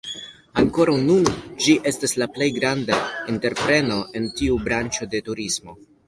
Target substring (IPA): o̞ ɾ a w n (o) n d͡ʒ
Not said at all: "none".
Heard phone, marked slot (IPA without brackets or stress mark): u